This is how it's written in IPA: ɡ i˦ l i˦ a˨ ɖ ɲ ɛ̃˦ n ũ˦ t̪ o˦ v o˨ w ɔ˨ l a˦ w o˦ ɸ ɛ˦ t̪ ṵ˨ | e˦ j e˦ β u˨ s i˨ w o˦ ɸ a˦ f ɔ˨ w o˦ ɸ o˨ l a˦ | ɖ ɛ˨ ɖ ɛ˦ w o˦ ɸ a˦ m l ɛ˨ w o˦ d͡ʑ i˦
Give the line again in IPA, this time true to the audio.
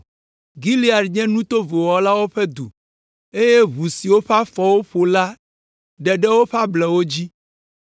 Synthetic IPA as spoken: ɡ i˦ l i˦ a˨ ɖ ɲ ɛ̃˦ n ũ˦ t̪ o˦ v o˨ w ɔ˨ l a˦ w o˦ ɸ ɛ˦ d̪ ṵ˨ | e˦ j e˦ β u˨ s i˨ w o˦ ɸ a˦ f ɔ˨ w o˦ ɸ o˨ l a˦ | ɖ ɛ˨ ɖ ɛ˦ w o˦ ɸ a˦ b l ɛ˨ w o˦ d͡ʑ i˦

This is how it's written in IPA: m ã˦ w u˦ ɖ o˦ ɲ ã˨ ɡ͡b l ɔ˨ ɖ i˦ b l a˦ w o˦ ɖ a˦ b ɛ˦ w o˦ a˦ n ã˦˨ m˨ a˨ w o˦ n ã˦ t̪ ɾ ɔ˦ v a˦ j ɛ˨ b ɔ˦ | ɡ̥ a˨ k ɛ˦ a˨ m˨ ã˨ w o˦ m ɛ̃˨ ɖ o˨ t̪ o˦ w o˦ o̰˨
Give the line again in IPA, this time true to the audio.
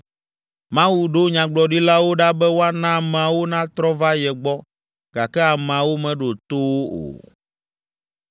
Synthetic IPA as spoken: m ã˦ w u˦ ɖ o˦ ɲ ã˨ ɡ͡b l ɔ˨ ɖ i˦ l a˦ w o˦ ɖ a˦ b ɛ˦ w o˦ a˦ n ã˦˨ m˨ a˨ w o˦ n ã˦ t̪ ɾ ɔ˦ v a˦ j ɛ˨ ɡ͡b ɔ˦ | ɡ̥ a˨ k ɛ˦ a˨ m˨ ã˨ w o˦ m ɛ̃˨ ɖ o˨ t̪ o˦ w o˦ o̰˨

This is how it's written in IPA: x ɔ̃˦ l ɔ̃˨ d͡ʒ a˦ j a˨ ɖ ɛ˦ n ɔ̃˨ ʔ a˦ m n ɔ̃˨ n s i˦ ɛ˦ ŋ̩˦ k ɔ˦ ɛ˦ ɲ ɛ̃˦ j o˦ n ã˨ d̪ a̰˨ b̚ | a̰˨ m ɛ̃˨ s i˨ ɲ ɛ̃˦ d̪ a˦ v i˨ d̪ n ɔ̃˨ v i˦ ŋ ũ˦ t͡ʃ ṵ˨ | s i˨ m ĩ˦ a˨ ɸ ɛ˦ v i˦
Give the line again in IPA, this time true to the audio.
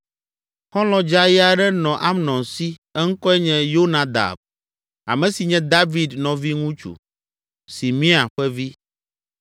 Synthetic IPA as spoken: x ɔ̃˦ l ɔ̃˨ d͡ʒ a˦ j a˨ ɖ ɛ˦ n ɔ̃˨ ʔ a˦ m n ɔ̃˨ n s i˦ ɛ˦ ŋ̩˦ k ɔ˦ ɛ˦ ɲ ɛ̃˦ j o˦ n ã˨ d̪ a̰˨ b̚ | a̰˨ m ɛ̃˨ s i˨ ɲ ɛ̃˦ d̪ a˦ v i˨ d̪ n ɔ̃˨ v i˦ ŋ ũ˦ t͡ʃ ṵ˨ | s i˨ m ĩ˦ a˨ ɸ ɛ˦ v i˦

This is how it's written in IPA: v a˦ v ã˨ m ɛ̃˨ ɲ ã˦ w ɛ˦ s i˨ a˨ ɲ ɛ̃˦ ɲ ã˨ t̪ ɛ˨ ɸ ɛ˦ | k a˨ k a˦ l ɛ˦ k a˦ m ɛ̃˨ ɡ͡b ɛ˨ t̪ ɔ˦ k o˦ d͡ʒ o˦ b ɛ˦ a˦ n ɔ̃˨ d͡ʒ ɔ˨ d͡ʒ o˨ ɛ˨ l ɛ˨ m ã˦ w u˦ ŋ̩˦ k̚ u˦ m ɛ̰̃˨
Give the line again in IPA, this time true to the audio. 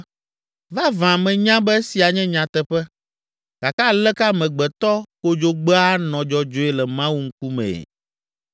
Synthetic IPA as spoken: v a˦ v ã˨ m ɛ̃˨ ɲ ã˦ b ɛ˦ s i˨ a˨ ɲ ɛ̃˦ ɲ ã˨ t̪ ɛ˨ ɸ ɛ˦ | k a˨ k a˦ l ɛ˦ k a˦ m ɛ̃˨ ɡ͡b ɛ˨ t̪ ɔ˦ k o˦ d͡ʒ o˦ ɡ͡b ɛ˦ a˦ n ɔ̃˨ d͡ʒ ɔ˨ d͡ʒ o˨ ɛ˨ l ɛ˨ m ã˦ w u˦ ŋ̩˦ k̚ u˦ m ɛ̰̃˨

